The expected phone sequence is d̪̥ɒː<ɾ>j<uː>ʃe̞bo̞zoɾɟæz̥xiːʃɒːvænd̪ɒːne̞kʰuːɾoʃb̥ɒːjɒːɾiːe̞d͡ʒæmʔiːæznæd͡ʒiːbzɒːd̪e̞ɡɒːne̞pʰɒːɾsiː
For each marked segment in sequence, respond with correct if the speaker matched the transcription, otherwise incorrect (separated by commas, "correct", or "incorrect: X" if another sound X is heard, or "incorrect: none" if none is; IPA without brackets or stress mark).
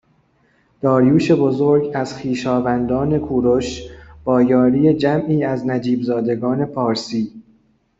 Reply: correct, correct